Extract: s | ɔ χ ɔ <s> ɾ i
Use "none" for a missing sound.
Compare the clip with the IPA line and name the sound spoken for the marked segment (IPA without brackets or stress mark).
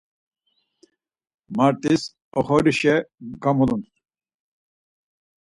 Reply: none